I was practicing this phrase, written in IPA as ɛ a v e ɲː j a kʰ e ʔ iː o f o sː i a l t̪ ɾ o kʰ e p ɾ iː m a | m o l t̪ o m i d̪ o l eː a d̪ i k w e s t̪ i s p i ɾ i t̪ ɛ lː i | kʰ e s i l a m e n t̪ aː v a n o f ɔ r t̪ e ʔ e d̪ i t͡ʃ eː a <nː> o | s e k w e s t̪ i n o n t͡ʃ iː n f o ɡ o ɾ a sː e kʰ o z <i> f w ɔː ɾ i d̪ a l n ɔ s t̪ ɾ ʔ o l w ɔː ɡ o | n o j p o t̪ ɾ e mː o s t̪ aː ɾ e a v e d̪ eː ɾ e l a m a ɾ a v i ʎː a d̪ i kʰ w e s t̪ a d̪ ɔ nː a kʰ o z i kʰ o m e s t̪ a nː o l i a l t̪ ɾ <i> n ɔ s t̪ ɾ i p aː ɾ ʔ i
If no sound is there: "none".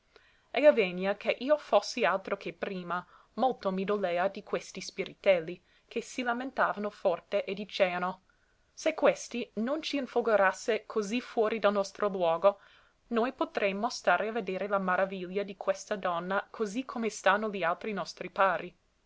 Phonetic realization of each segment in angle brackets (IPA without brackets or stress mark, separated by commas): n, i, i